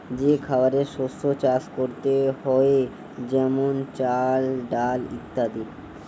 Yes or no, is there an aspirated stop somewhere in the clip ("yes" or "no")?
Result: yes